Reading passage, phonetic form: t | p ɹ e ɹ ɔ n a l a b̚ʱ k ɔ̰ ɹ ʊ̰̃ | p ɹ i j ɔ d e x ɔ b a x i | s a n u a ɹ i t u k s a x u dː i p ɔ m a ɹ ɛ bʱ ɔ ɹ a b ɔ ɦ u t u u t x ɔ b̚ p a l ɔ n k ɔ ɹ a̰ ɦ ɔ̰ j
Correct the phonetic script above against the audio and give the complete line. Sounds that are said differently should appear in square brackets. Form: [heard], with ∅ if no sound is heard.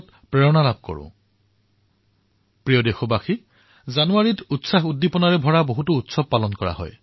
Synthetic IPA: t | p ɹ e ɹ ɔ n a l a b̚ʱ k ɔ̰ ɹ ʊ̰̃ | p ɹ i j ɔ d e x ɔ b a x i | [z] a n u a ɹ i t u [t] s a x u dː i p ɔ [n] a ɹ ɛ bʱ ɔ ɹ a b [o] ɦ u t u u t [s] ɔ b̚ p a l ɔ n k ɔ ɹ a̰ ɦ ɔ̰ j

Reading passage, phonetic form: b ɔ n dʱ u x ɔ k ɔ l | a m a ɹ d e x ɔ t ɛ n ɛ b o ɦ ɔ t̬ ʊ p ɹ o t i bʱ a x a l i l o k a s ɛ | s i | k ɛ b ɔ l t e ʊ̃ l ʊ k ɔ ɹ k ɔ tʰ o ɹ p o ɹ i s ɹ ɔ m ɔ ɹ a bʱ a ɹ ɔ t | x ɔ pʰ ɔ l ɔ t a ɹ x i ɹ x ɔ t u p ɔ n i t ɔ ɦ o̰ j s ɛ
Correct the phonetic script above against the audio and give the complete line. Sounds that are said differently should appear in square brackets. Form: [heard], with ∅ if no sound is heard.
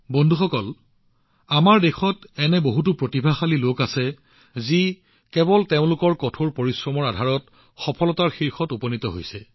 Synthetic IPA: b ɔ n dʱ u x ɔ k ɔ l | a m a ɹ d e x ɔ t ɛ n ɛ b o ɦ [u] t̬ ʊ p ɹ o t i bʱ a x a l i l o k a s ɛ | [z] i | k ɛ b ɔ l t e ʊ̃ l ʊ k ɔ ɹ k ɔ tʰ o ɹ p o ɹ i s ɹ ɔ m ɔ ɹ a [dʱ] a ɹ ɔ t | x ɔ pʰ ɔ l ɔ t a ɹ x i ɹ x ɔ t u p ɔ n i t ɔ ɦ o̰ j s ɛ

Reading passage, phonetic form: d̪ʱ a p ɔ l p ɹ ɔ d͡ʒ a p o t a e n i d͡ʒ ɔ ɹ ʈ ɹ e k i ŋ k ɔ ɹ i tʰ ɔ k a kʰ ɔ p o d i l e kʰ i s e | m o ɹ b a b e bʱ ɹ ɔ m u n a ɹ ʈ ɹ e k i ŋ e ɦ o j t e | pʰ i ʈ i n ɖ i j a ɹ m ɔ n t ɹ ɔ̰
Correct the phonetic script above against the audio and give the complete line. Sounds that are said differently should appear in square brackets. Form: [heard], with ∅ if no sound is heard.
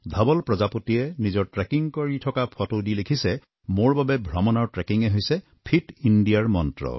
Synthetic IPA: d̪ʱ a [b] ɔ l p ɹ ɔ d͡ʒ a p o t [i] e n i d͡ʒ ɔ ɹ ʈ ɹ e k i ŋ k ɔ ɹ i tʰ ɔ k a [pʰ] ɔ [t] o d i l e kʰ i s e | m o ɹ b a b e bʱ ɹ ɔ m [ɔ] n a ɹ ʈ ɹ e k i ŋ e ɦ o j [s] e | pʰ i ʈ i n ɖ i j a ɹ m ɔ n t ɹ ɔ̰

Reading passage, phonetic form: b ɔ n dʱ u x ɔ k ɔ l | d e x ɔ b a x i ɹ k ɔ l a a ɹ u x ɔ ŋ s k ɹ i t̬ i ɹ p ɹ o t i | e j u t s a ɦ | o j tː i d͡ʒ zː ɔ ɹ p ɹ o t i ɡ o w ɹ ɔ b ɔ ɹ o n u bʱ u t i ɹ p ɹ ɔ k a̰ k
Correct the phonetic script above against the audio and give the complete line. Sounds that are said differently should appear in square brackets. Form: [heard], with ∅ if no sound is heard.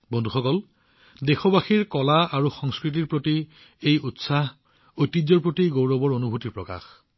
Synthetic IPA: b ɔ n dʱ u x ɔ k ɔ l | d e x ɔ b a x i ɹ k ɔ l a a ɹ u x ɔ ŋ s k ɹ i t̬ i ɹ p ɹ o t i | e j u t s a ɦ | o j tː i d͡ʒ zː ɔ ɹ p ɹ o t i ɡ o w ɹ ɔ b ɔ ɹ o n u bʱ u t i ɹ p ɹ ɔ k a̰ [x]

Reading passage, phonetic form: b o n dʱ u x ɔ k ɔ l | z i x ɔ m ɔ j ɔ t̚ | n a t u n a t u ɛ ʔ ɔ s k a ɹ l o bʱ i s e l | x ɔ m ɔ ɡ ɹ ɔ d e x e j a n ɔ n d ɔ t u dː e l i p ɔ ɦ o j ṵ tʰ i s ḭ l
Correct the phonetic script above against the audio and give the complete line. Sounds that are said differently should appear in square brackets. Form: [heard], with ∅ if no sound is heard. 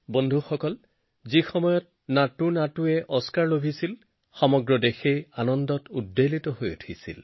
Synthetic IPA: b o n dʱ u x ɔ k ɔ l | z i x ɔ m ɔ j ɔ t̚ | n a t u n a t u ɛ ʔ ɔ s k a ɹ l o bʱ i s [i] l | x ɔ m ɔ ɡ ɹ ɔ d e x e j a n ɔ n d ɔ t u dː e l i [t] ɔ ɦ o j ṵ tʰ i s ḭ l

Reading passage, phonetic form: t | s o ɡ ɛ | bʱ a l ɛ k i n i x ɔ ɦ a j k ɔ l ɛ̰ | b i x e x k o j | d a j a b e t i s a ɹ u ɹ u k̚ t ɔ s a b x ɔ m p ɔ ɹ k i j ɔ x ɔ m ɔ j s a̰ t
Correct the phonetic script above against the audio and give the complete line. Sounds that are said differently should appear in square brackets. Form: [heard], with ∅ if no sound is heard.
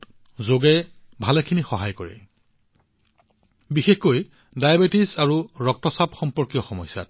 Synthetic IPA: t | [z] o ɡ ɛ | bʱ a l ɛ [kʰ] i n i x ɔ ɦ a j k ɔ [ɹ] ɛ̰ | b i x e x k o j | d a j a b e t i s a ɹ u ɹ [ɔ] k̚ t ɔ s a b x ɔ m p ɔ ɹ k i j ɔ x ɔ m ɔ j s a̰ t

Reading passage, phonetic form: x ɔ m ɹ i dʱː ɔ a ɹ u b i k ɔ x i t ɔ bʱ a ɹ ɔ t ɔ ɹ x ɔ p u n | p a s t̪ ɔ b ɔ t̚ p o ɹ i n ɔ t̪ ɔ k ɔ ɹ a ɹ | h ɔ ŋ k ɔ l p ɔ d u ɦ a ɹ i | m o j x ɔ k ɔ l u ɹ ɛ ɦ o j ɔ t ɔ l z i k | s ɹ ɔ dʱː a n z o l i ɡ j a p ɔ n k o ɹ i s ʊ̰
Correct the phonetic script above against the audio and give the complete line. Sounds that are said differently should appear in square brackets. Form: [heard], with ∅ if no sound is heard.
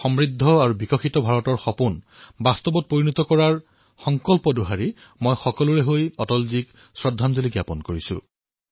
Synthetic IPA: x ɔ m ɹ i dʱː ɔ a ɹ u b i k ɔ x i t ɔ bʱ a ɹ ɔ t ɔ ɹ x ɔ p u n | [b] a s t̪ ɔ b ɔ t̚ p o ɹ i n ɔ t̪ ɔ k ɔ ɹ a ɹ | [x] ɔ ŋ k ɔ l p ɔ d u ɦ a ɹ i | m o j x ɔ k ɔ l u ɹ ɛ ɦ o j ɔ t ɔ l z i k | s ɹ ɔ dʱː a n z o l i ɡ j a p ɔ n k o ɹ i s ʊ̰

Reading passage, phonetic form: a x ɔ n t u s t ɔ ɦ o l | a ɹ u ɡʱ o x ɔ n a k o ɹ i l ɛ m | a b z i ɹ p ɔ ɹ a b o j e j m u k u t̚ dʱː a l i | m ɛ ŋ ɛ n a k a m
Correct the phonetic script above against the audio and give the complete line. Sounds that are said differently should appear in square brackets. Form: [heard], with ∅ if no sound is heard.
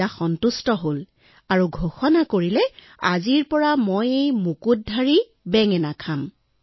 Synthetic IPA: a x ɔ n t u s t ɔ ɦ o l | a ɹ u ɡʱ o x ɔ n a k o ɹ i l ɛ [∅] | a [∅] z i ɹ p ɔ ɹ a [m] o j e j m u k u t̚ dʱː a [ɹ] i | [b] ɛ ŋ ɛ n a [kʰ] a m

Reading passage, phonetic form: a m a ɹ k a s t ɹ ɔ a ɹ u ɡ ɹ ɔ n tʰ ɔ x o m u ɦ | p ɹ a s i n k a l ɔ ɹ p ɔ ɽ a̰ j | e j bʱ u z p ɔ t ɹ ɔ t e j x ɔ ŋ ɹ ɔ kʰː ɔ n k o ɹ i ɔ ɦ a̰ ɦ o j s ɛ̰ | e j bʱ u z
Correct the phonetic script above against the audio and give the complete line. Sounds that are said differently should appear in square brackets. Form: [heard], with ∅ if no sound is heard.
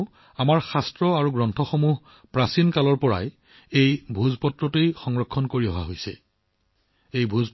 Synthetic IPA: a m a ɹ [x] a s t ɹ ɔ a ɹ u ɡ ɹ ɔ n tʰ ɔ x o m u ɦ | p ɹ a s i n k a l ɔ ɹ p ɔ [ɹ] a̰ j | e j bʱ u z p ɔ t ɹ ɔ t e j x ɔ ŋ ɹ ɔ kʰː ɔ n k o ɹ i ɔ ɦ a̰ ɦ o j s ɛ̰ | e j bʱ u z

